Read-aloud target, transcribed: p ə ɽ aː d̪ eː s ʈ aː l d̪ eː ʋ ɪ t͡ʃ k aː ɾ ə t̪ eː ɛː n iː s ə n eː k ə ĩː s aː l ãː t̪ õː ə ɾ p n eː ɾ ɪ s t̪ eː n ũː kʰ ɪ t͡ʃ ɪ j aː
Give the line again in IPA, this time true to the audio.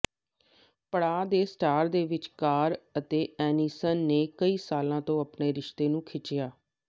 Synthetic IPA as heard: p ə ɽ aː d̪ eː s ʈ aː ɾ d̪ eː ʋ ɪ t͡ʃ k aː ɾ ə t̪ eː ɛː n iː s ə nː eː k ə iː s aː l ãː t̪ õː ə p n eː ɾ ɪ ʃ t̪ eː n ũː kʰ ɪ t͡ʃ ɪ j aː

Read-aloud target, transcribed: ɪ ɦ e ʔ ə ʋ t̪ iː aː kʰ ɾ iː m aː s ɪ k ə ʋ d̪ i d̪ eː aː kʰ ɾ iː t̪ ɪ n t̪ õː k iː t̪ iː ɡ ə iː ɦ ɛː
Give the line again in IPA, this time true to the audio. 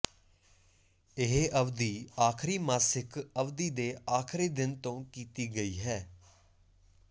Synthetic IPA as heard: ɪ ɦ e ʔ ə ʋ d̪ iː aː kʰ ɾ iː m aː s ɪ k ə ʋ d̪ iː d̪ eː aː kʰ ɾ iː d̪ ɪ n t̪ õː k iː t̪ iː ɡ ə iː ɦ ɛː

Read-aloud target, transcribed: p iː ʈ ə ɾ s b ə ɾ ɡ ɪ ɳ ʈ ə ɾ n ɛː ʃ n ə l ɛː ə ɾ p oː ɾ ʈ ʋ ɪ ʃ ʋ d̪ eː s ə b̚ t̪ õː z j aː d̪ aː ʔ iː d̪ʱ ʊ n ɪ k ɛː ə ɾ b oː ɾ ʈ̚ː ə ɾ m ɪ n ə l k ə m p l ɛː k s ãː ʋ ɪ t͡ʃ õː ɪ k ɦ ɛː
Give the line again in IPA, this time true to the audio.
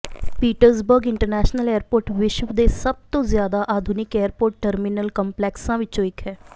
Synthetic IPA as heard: p iː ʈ ə ɾ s b ə ɾ ɡ ɪ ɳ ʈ ə ɾ n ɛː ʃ n ə l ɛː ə ɾ p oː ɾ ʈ ʋ ɪ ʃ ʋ d̪ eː s ə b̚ t̪ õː z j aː d̪ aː ʔ aː d̪ʱ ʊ n ɪ k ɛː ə ɾ p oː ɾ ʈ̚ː ə ɾ m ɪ n ə l k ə m p l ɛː k s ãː ʋ ɪ t͡ʃ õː ɪ k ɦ ɛː

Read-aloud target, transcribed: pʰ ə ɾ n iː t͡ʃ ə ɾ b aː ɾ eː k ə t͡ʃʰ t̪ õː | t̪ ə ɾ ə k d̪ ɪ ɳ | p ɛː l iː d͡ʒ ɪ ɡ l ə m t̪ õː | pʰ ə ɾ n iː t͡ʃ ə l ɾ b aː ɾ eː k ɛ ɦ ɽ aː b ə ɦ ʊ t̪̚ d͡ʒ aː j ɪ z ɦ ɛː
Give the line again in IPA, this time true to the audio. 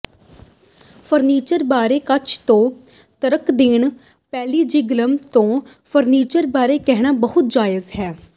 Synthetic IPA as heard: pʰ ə ɾ n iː t͡ʃ ə ɾ b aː ɾ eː k ə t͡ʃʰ t̪ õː | t̪ ə ɾ ə k d̪ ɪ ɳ | p ɛː l iː d͡ʒ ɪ ɡ l ə m t̪ õː | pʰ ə ɾ n iː t͡ʃ ə ɾ b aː ɾ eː k ɛ ɦ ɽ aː b ə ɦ ʊ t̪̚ d͡ʒ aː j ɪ z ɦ ɛː

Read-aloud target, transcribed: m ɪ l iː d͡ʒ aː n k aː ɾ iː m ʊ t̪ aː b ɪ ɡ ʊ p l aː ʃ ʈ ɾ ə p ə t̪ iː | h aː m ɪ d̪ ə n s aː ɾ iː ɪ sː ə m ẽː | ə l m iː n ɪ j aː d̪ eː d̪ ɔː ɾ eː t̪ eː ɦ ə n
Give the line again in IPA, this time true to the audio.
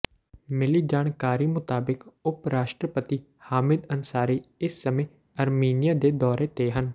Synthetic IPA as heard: m ɪ l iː d͡ʒ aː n k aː ɾ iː m ʊ t̪ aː b ɪ k ʊ p ɾ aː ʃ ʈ ɾ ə p ə t̪ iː | h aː m ɪ d̪ ə n s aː ɾ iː ɪ sː ə m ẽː | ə ɾ m iː n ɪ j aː d̪ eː d̪ ɔː ɾ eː t̪ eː ɦ ə n

